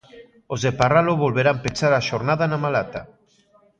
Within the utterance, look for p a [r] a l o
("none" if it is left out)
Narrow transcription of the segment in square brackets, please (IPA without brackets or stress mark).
r